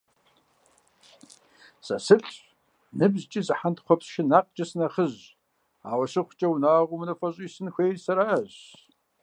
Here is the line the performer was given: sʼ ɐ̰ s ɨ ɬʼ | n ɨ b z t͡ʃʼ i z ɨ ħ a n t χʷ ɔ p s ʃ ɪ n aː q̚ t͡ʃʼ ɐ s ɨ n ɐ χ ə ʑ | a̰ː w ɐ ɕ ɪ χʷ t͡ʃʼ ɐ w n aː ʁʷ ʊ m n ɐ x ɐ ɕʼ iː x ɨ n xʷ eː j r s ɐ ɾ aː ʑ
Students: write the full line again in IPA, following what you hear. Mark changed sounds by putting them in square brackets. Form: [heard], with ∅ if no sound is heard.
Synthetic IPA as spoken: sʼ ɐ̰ s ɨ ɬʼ | n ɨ b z t͡ʃʼ i z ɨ ħ a n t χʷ ɔ p s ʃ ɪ n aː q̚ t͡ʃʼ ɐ s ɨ n ɐ χ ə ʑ | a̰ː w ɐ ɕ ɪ χʷ t͡ʃʼ ɐ w n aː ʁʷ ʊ m n ɐ [f] ɐ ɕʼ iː [s] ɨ n xʷ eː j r s ɐ ɾ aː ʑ